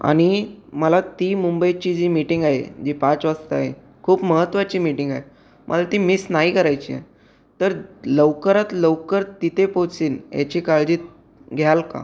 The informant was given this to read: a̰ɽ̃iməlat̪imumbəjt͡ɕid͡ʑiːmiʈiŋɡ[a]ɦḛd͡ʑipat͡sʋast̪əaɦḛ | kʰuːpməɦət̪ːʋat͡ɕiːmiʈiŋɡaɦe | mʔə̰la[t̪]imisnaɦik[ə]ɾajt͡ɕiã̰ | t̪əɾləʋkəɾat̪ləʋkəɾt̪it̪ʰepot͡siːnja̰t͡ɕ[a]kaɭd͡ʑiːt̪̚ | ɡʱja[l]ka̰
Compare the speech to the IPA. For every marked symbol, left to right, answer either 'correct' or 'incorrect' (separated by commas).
correct, correct, correct, incorrect, correct